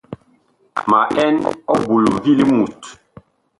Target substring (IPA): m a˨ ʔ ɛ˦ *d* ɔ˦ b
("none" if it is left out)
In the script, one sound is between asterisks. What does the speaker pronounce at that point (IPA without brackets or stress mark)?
n